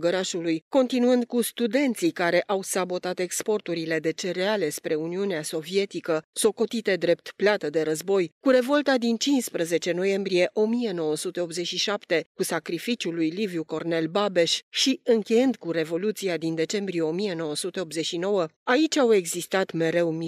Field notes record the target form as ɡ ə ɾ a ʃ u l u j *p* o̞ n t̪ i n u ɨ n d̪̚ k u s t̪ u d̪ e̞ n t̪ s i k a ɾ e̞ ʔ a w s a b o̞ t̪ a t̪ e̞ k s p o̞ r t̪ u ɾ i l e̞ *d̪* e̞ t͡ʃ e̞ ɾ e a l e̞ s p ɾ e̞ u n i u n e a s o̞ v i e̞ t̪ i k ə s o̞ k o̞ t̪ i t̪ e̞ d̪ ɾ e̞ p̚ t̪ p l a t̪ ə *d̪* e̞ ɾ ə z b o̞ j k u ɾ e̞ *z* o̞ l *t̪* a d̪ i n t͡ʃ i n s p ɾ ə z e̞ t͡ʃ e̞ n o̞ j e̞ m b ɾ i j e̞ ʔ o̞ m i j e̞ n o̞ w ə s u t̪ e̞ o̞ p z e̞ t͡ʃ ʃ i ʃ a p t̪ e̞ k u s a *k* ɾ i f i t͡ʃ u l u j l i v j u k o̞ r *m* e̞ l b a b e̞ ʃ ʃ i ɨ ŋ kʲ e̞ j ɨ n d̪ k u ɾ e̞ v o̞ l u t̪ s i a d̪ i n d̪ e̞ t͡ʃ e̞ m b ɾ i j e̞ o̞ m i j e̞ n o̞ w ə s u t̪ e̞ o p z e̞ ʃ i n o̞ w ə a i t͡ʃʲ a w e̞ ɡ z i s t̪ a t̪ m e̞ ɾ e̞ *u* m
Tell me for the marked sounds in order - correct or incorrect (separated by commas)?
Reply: incorrect, correct, correct, incorrect, correct, correct, incorrect, incorrect